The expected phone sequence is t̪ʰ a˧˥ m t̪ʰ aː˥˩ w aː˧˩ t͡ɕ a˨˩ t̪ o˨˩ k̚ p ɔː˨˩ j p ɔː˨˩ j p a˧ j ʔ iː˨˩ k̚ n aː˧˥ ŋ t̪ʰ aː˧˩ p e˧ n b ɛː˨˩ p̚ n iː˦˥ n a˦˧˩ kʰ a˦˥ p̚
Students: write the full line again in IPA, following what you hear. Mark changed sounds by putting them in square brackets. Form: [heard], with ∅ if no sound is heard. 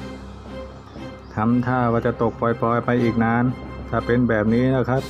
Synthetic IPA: t̪ʰ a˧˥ m t̪ʰ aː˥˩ w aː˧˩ t͡ɕ a˨˩ t̪ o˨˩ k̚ p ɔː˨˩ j p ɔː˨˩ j p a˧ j ʔ iː˨˩ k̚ n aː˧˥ [n] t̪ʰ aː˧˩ p e˧ n b ɛː˨˩ p̚ n iː˦˥ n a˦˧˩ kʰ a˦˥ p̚